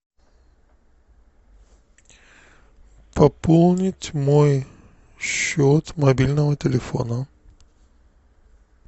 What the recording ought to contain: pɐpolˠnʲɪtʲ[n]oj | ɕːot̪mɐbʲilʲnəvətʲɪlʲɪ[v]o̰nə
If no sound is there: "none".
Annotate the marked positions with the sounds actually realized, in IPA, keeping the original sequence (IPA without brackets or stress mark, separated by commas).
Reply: m, f